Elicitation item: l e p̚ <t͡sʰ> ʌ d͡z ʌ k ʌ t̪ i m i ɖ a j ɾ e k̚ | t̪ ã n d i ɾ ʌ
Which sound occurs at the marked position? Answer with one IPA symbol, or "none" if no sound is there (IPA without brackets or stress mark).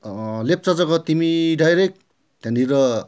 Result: t͡s